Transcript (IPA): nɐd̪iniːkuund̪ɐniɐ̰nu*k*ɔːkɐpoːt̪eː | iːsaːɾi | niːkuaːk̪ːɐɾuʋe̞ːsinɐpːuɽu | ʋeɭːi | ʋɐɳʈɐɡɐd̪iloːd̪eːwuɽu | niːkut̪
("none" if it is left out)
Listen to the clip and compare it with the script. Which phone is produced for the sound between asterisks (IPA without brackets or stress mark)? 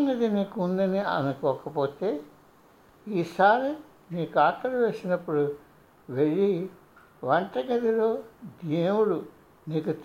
k